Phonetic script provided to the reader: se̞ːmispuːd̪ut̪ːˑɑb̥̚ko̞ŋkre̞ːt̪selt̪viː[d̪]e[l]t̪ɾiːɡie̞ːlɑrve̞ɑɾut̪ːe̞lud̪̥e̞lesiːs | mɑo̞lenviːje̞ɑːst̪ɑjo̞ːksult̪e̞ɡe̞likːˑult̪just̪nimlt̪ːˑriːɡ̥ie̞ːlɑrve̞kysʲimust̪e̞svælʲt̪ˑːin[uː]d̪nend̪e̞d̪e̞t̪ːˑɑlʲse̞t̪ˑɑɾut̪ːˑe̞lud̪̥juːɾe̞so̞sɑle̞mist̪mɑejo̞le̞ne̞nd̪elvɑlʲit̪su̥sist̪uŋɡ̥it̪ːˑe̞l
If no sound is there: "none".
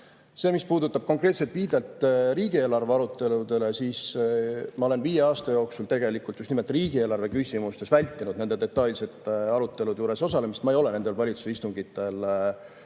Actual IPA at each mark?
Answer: d̪, l, u

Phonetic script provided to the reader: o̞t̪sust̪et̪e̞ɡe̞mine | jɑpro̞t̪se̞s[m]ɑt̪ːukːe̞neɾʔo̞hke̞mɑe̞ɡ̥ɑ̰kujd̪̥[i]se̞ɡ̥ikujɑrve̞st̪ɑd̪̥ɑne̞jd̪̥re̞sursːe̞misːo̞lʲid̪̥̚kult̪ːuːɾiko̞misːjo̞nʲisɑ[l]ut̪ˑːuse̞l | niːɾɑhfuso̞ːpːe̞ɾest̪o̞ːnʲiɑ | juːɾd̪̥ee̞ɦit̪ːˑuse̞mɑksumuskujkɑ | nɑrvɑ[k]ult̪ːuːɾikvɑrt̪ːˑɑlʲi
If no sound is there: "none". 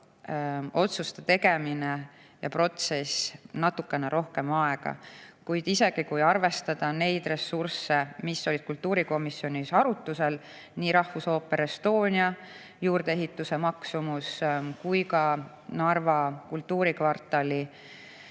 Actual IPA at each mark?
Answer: n, i, ɾ, k

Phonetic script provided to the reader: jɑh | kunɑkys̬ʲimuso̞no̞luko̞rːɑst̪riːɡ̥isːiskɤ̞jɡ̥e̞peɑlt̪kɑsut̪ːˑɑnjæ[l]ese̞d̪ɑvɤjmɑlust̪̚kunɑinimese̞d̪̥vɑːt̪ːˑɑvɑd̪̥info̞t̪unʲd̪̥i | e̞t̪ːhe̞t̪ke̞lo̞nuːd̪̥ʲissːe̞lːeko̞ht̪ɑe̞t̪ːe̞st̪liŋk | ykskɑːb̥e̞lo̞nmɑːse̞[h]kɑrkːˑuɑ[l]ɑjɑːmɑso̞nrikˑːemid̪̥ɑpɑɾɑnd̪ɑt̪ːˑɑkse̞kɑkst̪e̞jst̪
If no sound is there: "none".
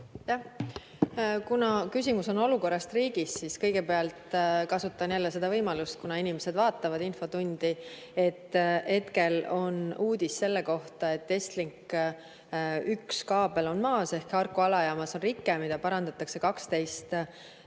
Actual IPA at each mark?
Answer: lː, h, l

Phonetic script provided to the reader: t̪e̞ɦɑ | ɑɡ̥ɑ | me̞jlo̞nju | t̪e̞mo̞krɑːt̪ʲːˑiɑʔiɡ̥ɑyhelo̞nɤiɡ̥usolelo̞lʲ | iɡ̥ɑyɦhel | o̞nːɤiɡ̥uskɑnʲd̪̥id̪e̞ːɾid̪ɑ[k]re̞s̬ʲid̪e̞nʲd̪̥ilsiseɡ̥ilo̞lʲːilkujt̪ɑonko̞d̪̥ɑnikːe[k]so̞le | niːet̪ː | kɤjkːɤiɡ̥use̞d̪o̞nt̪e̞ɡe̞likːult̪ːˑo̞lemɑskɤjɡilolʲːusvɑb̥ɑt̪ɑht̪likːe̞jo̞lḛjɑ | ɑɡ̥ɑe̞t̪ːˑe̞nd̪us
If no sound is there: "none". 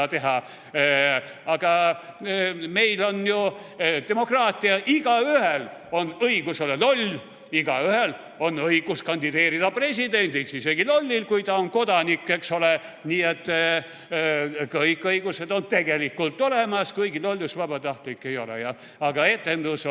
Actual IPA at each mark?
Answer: p, k

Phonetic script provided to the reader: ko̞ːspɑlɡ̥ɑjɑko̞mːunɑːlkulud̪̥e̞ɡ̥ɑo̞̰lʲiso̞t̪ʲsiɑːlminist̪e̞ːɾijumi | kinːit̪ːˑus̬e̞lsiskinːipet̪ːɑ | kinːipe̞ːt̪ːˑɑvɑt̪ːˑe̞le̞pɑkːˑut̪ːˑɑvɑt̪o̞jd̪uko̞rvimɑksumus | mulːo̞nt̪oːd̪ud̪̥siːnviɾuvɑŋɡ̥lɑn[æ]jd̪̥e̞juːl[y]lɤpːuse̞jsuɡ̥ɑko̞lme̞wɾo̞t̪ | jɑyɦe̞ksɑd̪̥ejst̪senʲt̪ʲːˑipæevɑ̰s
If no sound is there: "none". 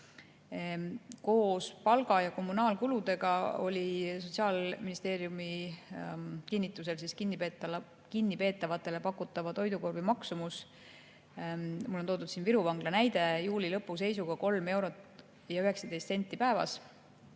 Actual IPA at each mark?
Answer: æ, i

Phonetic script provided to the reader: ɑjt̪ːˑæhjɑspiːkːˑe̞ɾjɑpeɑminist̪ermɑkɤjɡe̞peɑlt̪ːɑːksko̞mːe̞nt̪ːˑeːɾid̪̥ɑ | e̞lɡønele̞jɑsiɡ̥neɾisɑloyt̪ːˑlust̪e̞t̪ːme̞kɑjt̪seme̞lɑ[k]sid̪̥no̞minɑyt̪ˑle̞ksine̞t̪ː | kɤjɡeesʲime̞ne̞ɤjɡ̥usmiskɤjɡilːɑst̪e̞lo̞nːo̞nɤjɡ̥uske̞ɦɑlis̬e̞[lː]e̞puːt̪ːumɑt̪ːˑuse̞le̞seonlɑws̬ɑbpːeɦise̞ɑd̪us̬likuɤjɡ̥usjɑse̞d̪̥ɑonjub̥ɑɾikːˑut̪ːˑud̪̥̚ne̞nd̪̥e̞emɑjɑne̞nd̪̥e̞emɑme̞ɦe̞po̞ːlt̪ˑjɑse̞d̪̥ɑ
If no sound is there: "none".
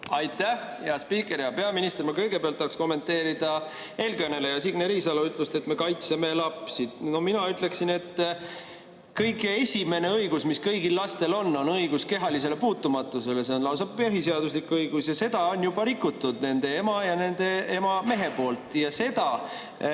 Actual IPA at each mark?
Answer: p, l

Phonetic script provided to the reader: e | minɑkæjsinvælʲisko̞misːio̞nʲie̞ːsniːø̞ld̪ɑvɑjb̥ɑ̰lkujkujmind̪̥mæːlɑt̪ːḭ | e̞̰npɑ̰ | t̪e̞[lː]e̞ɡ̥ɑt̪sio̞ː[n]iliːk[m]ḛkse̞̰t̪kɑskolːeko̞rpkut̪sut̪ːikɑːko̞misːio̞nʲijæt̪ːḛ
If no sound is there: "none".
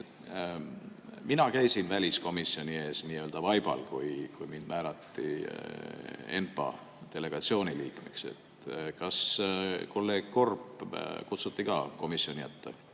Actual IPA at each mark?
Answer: l, n, m

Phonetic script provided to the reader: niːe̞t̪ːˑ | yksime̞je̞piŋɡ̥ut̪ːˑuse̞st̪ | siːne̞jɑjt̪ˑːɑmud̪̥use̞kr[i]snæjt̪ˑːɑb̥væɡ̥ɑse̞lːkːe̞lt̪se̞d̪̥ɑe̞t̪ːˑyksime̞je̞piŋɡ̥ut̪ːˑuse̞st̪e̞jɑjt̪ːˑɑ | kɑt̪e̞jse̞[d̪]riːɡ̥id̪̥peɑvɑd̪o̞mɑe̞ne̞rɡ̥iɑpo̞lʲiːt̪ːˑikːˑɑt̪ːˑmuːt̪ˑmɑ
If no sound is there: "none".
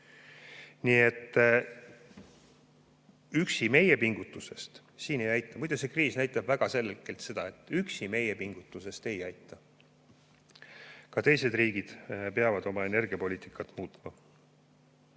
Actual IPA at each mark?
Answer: iː, d̪

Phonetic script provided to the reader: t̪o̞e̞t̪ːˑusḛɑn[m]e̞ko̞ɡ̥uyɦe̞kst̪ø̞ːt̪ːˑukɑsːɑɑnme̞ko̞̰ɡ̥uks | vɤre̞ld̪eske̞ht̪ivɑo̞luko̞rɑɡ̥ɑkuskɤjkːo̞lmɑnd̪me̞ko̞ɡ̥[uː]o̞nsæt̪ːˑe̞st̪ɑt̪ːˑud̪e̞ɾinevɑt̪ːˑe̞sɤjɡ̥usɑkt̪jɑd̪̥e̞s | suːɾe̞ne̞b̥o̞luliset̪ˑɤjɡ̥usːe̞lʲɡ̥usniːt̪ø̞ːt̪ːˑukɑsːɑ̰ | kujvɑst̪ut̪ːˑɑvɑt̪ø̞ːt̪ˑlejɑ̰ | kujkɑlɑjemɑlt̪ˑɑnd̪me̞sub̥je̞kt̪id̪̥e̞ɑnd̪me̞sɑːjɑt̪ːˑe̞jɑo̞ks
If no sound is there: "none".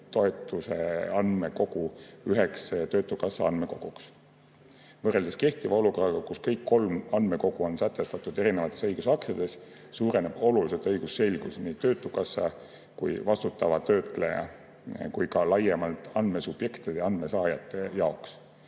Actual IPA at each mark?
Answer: m, u

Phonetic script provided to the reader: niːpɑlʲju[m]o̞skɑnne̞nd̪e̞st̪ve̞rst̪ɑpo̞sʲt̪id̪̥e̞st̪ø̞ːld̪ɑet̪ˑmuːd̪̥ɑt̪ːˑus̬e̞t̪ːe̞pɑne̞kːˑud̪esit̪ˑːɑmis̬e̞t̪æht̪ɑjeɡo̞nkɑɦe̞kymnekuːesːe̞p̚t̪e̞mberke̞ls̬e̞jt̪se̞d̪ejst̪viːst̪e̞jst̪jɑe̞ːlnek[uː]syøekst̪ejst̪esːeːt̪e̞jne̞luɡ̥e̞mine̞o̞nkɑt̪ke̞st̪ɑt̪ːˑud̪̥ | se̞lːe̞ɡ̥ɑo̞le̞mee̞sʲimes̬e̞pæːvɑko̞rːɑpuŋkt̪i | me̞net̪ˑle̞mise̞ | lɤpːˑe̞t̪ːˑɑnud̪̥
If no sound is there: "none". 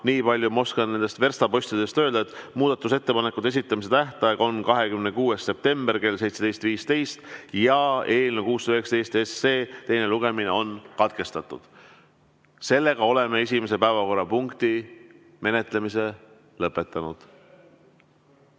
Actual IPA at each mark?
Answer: m, uː

